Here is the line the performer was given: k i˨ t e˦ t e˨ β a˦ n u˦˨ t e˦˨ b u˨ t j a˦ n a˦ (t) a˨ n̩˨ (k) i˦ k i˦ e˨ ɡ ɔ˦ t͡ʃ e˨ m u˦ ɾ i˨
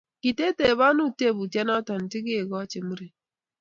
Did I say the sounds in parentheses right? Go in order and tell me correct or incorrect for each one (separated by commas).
correct, incorrect